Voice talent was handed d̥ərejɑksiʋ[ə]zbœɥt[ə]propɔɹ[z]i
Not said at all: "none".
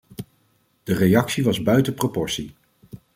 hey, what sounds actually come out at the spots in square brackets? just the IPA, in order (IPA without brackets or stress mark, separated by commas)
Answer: ɑ, ə, s